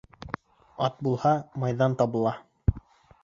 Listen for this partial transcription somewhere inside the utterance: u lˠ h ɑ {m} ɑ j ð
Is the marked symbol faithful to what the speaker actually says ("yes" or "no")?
yes